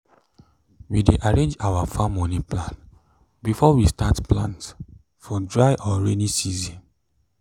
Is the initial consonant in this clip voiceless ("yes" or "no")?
no